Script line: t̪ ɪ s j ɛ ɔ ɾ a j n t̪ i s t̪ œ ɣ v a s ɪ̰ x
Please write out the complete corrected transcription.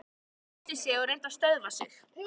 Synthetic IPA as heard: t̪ ɪ s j ɛ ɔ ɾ e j n t̪ a s t̪ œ ð v a s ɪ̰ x